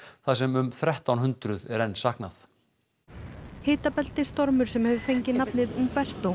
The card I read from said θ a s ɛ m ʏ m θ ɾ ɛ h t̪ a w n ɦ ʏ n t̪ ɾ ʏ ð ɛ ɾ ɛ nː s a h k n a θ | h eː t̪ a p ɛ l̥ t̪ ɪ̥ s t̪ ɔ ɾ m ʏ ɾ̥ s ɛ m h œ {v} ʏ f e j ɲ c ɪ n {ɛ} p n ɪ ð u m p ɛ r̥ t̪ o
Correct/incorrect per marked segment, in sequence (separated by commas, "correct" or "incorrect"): correct, incorrect